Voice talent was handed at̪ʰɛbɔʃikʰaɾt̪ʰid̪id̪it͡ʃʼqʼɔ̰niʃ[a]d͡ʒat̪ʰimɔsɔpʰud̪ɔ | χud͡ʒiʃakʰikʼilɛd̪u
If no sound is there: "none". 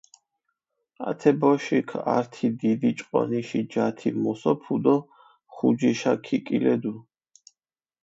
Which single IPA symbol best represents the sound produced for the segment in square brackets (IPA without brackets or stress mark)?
i